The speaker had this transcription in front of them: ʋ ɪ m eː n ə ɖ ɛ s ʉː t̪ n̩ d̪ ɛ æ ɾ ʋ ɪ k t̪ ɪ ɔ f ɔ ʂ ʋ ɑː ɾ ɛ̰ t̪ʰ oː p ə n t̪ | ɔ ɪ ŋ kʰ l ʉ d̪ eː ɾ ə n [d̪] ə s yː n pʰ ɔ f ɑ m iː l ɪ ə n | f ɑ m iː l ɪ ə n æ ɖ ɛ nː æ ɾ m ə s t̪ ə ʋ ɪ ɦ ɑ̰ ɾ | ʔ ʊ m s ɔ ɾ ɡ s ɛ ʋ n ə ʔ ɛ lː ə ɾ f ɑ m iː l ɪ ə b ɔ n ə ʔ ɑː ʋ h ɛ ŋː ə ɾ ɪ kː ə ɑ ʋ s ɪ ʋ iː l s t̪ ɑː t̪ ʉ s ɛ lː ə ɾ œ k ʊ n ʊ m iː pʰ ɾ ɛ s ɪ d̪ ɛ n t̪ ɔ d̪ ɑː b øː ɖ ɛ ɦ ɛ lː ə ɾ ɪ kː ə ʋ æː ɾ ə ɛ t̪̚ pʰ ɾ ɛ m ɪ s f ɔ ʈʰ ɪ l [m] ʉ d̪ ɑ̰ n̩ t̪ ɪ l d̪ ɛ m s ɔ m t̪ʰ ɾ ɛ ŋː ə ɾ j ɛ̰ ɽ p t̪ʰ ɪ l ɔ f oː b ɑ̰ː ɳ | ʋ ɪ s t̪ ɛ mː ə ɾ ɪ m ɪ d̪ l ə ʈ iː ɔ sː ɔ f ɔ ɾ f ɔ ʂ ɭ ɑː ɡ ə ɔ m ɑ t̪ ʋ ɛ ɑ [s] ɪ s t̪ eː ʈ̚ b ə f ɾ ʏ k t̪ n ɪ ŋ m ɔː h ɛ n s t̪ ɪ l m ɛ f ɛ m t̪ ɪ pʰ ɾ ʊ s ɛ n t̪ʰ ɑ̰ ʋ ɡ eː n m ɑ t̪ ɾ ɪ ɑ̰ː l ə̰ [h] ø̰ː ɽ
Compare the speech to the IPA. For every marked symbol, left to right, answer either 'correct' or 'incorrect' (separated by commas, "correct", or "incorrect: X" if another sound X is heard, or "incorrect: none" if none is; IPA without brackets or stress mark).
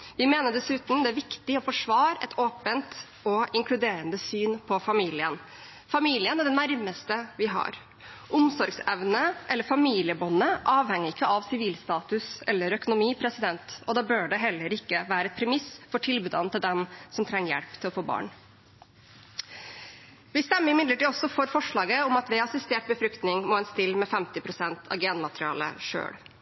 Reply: correct, incorrect: b, correct, incorrect: ʂ